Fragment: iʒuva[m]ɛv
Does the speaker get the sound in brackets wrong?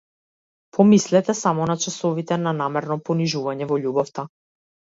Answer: yes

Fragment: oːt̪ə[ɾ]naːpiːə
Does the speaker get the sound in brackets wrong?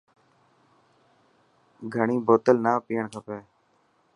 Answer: yes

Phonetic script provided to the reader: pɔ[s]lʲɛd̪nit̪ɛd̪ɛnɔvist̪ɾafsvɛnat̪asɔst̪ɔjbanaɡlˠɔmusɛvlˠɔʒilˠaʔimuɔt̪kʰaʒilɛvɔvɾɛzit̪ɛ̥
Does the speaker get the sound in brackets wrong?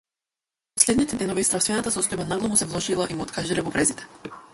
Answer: no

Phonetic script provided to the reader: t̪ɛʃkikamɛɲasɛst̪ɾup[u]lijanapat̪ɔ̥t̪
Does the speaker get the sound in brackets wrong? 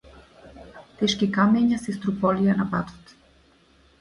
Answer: yes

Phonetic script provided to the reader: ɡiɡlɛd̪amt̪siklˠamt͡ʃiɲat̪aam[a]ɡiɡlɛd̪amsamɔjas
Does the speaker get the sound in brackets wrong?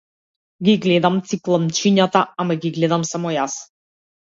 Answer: no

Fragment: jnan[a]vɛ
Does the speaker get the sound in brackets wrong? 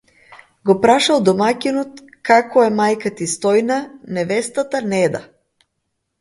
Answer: yes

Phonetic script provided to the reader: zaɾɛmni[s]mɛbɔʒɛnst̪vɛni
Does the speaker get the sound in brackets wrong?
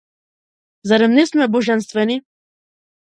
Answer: no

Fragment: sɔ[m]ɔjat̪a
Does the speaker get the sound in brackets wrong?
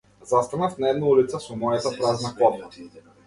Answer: no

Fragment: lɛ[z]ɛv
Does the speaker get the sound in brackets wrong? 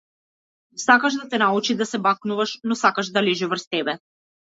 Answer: yes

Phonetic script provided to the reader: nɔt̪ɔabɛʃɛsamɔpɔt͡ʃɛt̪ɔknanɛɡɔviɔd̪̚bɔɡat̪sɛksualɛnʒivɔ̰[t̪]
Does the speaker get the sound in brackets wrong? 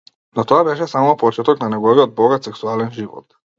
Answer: no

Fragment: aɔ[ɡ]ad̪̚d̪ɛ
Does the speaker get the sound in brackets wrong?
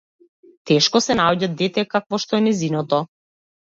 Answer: yes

